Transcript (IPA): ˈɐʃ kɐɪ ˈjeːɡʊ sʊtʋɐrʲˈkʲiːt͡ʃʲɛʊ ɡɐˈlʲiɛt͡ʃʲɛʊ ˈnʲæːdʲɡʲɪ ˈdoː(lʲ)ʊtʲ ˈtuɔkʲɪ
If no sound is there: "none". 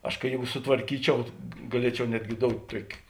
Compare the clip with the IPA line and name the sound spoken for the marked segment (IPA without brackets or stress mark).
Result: none